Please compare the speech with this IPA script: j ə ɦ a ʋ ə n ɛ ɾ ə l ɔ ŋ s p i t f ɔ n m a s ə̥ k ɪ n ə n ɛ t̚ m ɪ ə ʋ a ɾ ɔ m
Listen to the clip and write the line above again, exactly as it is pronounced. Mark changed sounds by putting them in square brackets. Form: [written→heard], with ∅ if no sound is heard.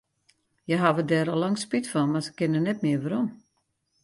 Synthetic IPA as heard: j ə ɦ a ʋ ə [n→d] ɛ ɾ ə l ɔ ŋ s p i t f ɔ n m a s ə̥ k ɪ n ə n ɛ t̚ m ɪ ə ʋ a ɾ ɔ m